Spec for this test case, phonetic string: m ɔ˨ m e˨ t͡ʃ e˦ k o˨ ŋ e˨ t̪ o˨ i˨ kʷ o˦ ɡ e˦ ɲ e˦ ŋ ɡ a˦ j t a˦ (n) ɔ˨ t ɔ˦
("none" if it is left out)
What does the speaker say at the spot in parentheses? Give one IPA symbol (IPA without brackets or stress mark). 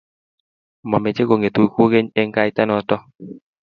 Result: n